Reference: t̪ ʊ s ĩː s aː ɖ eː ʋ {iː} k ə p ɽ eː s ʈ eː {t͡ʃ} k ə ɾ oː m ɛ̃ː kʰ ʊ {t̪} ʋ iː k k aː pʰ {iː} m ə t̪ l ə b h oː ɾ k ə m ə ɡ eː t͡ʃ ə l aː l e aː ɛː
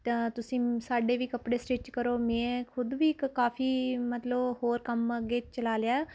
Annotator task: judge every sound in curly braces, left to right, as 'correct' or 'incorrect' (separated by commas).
correct, correct, incorrect, correct